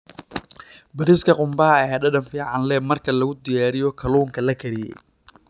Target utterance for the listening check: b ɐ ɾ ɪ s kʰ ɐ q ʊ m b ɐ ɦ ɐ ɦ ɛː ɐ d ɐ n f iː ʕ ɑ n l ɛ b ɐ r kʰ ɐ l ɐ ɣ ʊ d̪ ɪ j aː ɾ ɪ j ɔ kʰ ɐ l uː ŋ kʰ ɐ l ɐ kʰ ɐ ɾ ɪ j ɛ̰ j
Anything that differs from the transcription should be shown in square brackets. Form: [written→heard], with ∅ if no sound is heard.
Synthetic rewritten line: b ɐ ɾ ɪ s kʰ ɐ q ʊ m b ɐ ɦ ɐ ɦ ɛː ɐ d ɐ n f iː ʕ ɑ n l ɛ [b→m] ɐ r kʰ ɐ l ɐ ɣ ʊ d̪ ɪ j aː ɾ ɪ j ɔ kʰ ɐ l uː ŋ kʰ ɐ l ɐ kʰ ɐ ɾ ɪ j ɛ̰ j